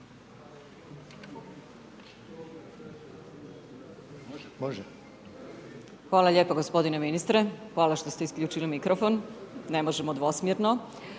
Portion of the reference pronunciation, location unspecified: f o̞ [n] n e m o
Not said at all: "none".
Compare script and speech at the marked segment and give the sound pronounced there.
n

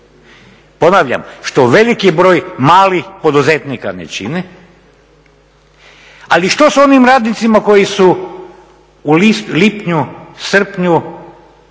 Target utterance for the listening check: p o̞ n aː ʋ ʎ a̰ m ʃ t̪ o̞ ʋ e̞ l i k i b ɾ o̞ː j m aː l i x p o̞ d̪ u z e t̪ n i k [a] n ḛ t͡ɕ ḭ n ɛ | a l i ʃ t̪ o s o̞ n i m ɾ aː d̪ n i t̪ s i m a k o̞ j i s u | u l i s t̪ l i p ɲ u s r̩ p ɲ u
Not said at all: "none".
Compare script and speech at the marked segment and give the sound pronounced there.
a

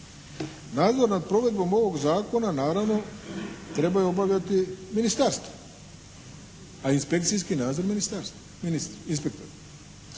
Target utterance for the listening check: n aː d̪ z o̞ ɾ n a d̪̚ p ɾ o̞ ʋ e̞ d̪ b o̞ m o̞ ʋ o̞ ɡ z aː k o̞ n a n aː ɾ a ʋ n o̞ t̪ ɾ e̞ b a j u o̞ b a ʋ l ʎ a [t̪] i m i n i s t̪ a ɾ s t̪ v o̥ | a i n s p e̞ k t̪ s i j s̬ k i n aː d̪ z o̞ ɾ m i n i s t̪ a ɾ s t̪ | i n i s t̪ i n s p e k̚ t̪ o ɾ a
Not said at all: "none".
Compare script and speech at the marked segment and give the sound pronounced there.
t̪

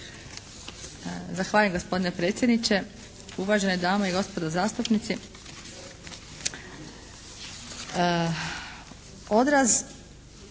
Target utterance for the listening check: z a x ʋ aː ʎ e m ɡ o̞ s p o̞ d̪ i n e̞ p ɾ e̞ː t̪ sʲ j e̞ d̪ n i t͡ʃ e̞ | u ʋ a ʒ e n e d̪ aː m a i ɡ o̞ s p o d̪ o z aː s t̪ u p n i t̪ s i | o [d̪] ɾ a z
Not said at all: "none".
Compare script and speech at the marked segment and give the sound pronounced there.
d̪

